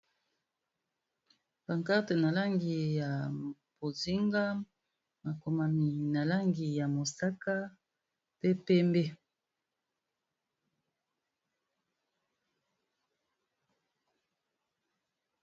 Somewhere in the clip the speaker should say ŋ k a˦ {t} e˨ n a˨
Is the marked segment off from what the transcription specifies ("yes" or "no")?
no